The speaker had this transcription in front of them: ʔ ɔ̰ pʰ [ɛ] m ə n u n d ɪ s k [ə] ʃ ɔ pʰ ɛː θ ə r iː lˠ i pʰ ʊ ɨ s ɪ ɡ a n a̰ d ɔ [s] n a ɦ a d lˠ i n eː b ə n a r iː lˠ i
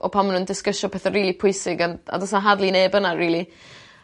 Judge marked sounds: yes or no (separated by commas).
no, yes, yes